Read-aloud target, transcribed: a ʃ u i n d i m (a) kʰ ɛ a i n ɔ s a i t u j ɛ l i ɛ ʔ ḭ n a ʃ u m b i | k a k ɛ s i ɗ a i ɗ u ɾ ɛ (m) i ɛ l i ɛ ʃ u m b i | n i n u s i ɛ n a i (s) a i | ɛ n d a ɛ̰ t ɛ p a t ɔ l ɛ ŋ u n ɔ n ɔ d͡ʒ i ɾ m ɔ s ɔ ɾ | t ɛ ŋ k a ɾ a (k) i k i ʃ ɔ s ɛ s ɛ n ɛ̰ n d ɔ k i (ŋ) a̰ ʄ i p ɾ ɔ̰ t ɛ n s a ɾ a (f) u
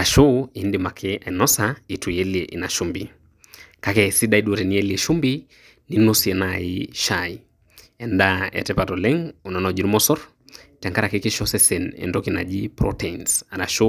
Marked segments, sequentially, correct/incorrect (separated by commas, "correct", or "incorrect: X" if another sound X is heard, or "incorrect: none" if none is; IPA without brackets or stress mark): correct, incorrect: n, incorrect: ʃ, correct, incorrect: n, incorrect: ʃ